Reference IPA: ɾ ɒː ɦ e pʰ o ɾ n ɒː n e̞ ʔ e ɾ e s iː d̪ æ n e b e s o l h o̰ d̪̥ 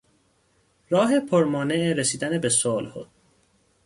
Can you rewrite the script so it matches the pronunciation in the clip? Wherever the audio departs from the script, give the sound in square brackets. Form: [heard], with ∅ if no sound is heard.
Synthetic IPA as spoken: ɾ ɒː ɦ e pʰ o ɾ [m] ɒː n e̞ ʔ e ɾ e s iː d̪ æ n e b e s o l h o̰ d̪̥